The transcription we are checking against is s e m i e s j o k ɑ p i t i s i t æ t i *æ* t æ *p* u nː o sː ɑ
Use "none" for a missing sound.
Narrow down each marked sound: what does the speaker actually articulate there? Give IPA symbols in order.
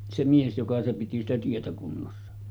e, k

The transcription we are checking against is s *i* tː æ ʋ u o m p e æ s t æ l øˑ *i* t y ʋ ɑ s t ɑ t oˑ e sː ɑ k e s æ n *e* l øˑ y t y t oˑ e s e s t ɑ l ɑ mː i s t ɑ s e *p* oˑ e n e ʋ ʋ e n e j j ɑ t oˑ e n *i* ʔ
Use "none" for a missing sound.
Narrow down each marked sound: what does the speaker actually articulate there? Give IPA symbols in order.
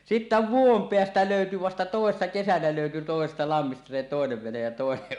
i, y, æ, t, e

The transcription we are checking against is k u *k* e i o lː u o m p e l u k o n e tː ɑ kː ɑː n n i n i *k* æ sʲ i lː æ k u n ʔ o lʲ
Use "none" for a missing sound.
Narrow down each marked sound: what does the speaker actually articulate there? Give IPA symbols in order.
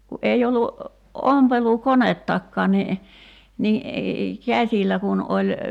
ʔ, k

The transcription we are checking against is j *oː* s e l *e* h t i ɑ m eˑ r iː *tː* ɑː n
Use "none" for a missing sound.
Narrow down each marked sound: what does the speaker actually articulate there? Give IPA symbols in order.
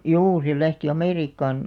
uː, æ, kː

